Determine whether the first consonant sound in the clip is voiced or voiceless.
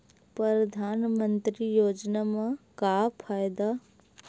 voiceless